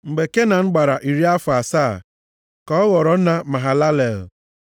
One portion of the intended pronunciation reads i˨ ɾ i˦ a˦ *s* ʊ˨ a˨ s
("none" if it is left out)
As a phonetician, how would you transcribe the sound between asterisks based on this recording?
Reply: f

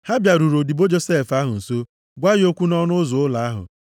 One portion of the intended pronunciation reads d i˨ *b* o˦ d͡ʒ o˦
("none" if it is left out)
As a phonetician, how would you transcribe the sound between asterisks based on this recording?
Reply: b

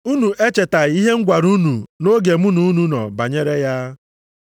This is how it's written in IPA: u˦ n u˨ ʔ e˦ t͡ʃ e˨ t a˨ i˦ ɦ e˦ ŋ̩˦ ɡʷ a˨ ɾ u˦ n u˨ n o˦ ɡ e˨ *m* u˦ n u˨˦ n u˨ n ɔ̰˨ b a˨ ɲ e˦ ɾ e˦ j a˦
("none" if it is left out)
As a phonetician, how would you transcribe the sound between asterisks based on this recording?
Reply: m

